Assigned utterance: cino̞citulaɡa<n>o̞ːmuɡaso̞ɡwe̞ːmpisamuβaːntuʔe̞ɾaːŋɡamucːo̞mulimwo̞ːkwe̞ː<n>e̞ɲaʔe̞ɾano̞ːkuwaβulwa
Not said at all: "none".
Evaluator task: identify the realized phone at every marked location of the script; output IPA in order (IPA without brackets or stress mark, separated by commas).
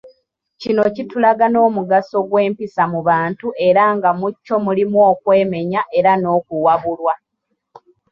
n, m